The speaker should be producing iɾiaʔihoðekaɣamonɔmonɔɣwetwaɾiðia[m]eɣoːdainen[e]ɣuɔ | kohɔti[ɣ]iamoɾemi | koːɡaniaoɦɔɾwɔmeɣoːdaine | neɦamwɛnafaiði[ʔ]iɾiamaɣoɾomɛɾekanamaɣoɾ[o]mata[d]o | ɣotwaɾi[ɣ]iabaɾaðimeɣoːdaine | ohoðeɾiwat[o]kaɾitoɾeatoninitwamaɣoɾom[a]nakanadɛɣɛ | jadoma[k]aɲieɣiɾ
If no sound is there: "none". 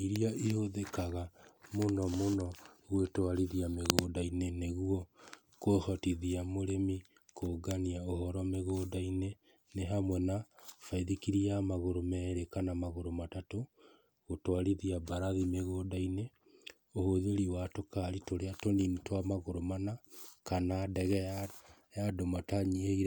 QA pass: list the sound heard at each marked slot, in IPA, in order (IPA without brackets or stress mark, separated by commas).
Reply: m, e, ð, k, o, t, ð, o, a, t